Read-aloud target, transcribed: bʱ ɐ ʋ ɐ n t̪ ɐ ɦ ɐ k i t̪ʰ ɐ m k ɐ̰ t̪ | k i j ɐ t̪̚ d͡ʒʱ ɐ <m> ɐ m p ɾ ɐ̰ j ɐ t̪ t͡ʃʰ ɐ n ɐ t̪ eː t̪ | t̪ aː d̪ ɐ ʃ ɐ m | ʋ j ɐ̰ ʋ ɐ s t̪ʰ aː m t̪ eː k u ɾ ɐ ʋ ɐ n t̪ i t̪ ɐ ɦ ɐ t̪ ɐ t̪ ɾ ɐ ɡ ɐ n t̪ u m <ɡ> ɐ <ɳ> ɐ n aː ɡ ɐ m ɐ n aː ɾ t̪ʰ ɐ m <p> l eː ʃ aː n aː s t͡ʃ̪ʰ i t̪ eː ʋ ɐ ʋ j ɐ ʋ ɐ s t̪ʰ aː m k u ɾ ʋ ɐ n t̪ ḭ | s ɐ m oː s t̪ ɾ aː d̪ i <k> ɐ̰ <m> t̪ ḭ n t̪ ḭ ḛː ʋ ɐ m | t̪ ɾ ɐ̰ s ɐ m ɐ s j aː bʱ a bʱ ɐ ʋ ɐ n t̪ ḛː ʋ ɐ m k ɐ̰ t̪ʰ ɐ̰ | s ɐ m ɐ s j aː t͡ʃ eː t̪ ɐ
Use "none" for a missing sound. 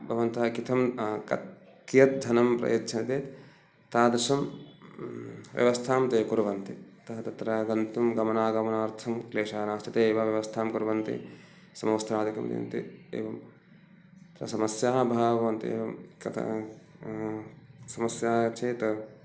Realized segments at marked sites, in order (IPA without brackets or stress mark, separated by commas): n, ɡ, m, k, k, m